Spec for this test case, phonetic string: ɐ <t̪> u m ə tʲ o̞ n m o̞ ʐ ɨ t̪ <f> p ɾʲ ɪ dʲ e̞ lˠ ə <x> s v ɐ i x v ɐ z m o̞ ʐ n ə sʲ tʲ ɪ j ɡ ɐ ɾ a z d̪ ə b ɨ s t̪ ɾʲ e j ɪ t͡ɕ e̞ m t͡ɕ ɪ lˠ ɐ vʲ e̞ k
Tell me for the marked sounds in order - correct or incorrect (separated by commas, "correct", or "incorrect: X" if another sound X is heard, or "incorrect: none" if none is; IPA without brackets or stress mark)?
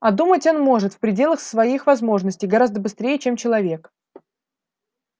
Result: incorrect: d̪, correct, correct